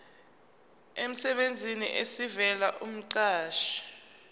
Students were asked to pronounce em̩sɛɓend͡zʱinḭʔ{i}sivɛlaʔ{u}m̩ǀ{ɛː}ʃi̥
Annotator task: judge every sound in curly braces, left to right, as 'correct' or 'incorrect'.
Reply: incorrect, correct, incorrect

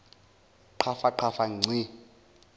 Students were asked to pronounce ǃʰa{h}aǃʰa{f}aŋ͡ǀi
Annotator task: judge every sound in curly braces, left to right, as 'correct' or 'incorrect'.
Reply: incorrect, correct

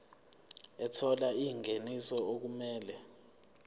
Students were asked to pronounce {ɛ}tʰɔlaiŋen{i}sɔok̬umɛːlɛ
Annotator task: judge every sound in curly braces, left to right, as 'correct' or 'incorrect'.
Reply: correct, correct

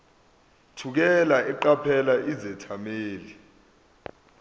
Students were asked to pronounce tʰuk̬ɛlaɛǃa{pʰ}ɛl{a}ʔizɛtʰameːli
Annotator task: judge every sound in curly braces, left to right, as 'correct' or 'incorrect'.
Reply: correct, correct

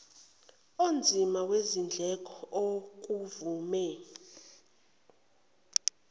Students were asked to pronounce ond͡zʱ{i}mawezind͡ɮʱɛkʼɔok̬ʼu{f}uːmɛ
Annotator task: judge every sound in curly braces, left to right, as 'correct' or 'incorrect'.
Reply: correct, incorrect

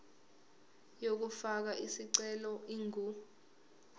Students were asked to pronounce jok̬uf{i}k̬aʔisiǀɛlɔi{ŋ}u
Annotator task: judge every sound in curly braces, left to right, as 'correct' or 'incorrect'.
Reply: incorrect, correct

